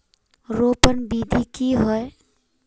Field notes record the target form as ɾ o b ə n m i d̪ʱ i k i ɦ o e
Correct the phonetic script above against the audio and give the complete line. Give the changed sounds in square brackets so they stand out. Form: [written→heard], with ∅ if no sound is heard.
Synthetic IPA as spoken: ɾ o [b→p] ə n [m→b] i d̪ʱ i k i ɦ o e